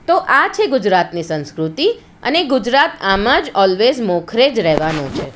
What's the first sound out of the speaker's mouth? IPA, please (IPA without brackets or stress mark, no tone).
t̪